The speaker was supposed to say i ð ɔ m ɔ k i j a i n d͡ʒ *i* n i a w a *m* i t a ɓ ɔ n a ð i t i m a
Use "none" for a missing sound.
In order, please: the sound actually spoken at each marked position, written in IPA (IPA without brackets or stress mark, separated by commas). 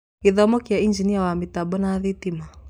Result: i, m